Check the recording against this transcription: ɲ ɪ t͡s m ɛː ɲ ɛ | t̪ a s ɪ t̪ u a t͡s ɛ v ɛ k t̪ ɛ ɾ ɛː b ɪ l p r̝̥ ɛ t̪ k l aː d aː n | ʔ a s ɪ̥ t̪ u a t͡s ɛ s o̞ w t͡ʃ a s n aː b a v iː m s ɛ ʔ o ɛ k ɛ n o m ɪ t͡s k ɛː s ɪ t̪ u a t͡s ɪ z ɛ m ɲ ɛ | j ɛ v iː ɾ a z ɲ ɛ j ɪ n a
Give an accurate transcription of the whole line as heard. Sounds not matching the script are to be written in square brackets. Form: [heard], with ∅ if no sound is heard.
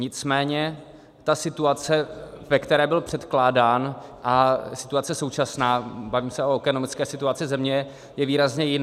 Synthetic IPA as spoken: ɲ ɪ t͡s m ɛː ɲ ɛ | t̪ a s ɪ t̪ u a t͡s ɛ v ɛ k t̪ ɛ ɾ ɛː b ɪ l p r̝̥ ɛ t̪ k l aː d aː n | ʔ a s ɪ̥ t̪ u a t͡s ɛ s o̞ w t͡ʃ a s n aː b a v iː m s ɛ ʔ o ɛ k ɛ n o m ɪ t͡s k ɛː s ɪ t̪ u a t͡s ɪ z ɛ m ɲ ɛ | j ɛ v iː ɾ a z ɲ ɛ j ɪ n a